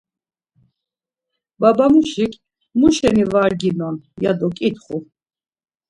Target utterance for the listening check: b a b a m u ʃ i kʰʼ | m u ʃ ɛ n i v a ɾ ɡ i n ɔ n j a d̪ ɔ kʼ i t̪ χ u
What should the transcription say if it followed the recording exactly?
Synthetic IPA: b a b a m u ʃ i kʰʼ | m u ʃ ɛ n i v a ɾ ɡ i n ɔ n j a d̪ ɔ kʼ i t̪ χ u

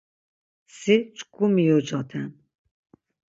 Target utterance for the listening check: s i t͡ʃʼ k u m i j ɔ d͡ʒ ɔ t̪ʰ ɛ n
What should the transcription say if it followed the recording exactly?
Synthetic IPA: s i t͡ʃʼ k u m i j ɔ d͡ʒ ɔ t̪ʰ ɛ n

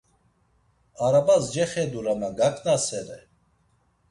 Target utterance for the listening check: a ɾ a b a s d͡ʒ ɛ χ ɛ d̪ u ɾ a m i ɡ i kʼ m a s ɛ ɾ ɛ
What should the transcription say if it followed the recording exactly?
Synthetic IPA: a ɾ a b a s d͡ʒ ɛ χ ɛ d̪ u ɾ a m a ɡ a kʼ n a s ɛ ɾ ɛ

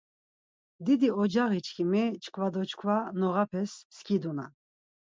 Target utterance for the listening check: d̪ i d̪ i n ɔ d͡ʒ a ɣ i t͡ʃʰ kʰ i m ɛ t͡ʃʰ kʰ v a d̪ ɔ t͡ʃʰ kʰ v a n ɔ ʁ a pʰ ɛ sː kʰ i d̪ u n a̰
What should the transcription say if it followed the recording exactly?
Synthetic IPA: d̪ i d̪ i ɔ d͡ʒ a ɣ i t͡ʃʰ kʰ i m ɛ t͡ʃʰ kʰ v a d̪ ɔ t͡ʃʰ kʰ v a n ɔ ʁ a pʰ ɛ sː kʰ i d̪ u n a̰

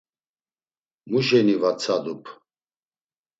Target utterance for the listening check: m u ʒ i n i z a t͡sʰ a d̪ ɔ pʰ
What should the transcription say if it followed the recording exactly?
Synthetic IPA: m u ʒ ɛ n i v a t͡sʰ a d̪ u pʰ

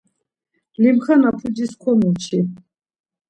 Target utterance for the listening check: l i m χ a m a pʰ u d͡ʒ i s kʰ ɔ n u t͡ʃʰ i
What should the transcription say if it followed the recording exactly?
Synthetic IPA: l i m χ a n a pʰ u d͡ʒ i s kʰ ɔ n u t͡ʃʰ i

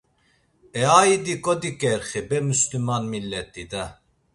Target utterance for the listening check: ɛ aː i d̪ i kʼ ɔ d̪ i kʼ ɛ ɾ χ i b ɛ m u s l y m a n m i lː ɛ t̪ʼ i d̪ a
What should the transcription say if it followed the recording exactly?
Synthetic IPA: ɛ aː i d̪ i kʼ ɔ d̪ i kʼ ɛ ɾ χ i b ɛ m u s l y m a n m i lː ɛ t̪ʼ i d̪ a

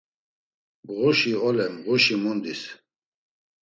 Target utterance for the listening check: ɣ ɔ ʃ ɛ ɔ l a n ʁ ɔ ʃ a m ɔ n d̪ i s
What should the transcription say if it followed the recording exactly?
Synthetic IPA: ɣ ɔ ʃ i ɔ l ɛ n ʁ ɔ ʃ i m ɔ n d̪ i s

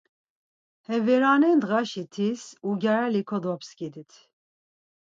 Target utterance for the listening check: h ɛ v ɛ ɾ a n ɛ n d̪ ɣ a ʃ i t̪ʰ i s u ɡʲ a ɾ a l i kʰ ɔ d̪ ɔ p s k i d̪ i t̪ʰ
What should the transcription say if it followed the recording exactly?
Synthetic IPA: h ɛ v ɛ ɾ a n ɛ n d̪ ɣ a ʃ i t̪ʰ i s u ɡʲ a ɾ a l i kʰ ɔ d̪ ɔ p s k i d̪ i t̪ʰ

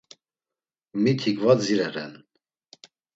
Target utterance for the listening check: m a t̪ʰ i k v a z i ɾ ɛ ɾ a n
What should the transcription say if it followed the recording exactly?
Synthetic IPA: m i t̪ʰ i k v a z i ɾ ɛ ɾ ɛ n

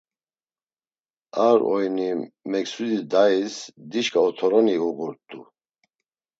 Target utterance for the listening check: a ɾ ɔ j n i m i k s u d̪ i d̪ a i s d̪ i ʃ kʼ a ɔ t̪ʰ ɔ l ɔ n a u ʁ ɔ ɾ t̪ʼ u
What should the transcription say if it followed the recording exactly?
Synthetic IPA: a ɾ ɔ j n i m ɛ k s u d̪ i d̪ a i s d̪ i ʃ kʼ a ɔ t̪ʰ ɔ ɾ ɔ n i u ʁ u ɾ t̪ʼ u

